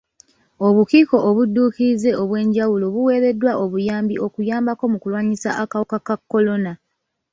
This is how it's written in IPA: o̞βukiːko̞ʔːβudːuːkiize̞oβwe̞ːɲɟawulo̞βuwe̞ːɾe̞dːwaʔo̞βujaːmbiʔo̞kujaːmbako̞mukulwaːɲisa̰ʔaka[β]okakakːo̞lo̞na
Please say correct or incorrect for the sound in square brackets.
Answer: incorrect: w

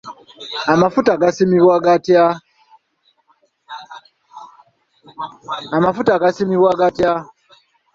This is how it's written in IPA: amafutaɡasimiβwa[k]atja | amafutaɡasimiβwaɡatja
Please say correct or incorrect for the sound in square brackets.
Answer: incorrect: ɡ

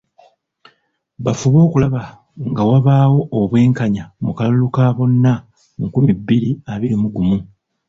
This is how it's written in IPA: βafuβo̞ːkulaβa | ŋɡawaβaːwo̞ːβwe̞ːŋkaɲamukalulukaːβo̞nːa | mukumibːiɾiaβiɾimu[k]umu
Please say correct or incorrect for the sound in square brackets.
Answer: incorrect: ɡ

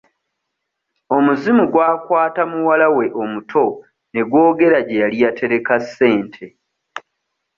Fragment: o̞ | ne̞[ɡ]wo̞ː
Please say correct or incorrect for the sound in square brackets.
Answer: correct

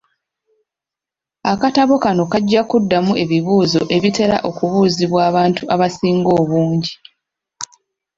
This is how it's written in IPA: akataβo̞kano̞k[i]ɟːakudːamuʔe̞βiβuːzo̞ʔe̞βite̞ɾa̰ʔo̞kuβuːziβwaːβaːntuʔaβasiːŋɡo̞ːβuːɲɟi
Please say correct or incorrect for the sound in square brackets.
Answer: incorrect: a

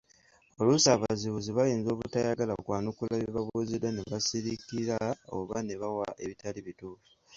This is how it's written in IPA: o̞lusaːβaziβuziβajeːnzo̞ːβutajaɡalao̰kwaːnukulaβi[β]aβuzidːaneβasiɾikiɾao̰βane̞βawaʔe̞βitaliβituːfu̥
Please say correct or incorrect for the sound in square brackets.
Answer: correct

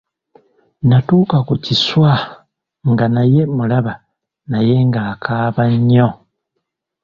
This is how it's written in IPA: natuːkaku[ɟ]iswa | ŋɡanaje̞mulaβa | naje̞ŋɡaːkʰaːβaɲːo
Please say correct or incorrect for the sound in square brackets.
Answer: incorrect: c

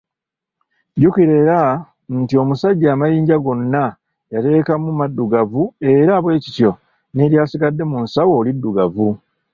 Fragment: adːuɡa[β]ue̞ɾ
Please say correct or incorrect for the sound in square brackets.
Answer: incorrect: v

